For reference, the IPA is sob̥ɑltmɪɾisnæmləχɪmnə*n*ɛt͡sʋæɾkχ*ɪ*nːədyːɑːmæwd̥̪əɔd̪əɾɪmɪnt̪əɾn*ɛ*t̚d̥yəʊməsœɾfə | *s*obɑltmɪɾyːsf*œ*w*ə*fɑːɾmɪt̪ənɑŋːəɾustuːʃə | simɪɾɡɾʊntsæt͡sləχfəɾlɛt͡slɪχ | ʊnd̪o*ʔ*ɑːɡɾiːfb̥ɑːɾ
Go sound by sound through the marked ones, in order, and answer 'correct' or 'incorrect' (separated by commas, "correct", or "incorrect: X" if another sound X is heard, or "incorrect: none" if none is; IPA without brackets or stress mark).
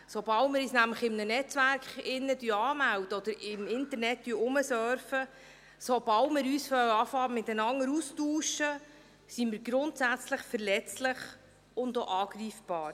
correct, correct, correct, correct, correct, incorrect: ɑ, correct